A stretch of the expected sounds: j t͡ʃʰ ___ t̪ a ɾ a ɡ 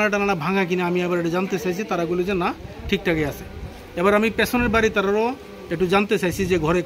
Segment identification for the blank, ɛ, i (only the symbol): i